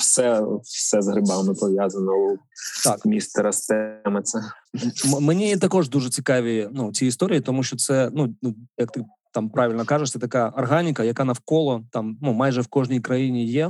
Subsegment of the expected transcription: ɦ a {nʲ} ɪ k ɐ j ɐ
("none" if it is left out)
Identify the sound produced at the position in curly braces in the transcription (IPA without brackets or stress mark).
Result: nʲ